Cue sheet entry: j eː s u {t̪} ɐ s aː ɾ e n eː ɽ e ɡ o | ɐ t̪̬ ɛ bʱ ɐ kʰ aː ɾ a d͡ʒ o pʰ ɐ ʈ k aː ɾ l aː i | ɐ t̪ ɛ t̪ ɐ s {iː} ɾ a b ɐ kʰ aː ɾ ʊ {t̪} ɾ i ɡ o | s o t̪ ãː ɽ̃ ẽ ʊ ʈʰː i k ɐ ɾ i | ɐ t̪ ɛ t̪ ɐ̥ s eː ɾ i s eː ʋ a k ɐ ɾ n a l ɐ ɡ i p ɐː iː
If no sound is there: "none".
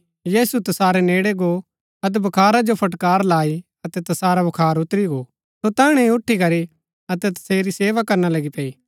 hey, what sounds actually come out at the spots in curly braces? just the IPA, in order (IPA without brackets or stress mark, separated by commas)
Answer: t̪, aː, t̪